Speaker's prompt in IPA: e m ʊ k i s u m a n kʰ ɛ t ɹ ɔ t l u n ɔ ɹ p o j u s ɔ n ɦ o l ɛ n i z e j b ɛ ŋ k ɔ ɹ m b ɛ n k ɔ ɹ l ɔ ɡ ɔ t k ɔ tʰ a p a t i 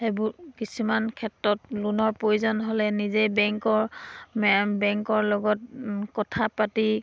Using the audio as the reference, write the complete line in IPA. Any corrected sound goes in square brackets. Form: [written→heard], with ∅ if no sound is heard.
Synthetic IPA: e [m→b] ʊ k i s u m a n kʰ ɛ t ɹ ɔ t l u n ɔ ɹ p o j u [s→z] ɔ n ɦ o l ɛ n i z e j b ɛ ŋ k ɔ ɹ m b ɛ [n→ŋ] k ɔ ɹ l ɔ ɡ ɔ t k ɔ tʰ a p a t i